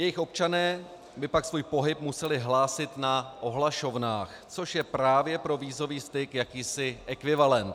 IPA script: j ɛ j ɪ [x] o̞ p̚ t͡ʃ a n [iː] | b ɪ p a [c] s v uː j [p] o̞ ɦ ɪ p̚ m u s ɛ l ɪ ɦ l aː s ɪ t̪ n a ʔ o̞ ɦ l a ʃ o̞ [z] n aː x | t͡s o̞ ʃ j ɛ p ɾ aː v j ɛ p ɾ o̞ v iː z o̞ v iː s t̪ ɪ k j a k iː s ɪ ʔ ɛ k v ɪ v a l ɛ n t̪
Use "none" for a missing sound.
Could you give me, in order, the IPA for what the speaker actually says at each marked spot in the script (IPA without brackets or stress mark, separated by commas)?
x, ɛː, k, p, v